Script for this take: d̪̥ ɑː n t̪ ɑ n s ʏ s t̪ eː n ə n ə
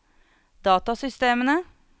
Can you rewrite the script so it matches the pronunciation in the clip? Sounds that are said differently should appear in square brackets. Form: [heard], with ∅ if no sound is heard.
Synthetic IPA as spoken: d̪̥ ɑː [∅] t̪ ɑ [∅] s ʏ s t̪ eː [m] ə n ə